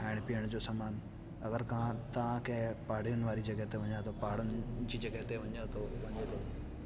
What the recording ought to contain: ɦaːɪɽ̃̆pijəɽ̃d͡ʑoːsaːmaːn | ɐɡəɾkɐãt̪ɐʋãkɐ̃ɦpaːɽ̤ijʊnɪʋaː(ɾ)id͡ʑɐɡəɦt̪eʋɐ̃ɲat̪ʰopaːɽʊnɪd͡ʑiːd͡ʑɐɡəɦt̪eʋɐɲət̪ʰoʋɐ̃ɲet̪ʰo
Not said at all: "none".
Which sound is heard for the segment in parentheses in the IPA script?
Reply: ɾ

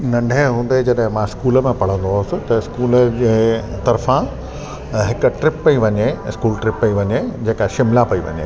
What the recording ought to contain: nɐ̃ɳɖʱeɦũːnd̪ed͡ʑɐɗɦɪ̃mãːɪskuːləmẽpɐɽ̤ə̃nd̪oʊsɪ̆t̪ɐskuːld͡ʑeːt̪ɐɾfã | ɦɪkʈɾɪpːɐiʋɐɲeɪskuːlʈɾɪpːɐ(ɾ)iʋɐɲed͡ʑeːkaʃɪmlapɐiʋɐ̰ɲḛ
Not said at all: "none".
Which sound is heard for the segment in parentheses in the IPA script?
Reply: none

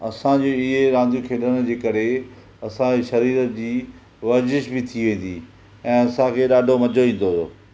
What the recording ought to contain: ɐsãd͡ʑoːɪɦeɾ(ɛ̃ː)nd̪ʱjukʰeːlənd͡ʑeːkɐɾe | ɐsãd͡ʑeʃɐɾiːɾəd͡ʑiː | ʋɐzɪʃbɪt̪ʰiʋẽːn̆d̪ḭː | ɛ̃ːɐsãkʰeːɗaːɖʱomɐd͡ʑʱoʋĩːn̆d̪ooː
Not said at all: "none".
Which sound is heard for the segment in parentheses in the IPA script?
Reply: ãː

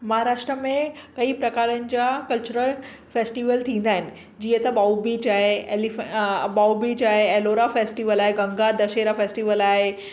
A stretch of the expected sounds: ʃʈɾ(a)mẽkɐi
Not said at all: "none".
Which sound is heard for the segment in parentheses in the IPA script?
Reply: ə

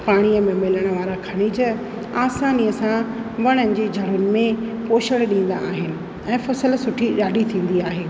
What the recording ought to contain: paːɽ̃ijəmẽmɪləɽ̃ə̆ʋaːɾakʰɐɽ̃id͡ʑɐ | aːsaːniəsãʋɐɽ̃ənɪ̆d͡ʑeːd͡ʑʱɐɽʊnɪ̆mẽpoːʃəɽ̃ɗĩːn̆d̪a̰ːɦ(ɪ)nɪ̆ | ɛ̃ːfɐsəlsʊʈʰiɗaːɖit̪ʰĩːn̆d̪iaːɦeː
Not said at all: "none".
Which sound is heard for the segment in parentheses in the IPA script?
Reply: ɪ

